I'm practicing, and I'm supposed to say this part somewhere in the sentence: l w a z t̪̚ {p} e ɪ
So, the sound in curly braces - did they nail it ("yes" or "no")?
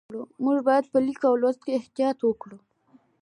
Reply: no